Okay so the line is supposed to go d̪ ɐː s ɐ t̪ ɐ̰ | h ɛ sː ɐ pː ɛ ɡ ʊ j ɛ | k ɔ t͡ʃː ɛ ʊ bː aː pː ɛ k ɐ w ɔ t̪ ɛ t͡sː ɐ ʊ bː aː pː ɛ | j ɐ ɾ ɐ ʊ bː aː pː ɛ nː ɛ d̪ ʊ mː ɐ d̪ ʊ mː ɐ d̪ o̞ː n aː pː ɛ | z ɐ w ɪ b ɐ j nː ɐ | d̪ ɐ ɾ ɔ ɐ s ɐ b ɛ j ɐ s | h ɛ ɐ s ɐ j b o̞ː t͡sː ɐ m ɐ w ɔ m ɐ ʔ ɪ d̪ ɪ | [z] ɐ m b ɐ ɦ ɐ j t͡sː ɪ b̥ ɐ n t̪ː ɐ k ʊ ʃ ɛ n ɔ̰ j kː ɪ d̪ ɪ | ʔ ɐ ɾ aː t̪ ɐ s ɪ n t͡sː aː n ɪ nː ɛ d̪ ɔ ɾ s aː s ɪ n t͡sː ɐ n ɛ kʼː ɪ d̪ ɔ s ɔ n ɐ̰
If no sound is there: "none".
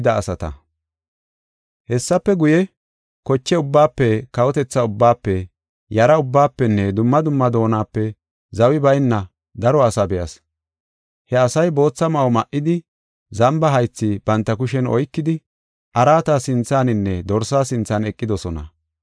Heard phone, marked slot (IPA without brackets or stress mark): z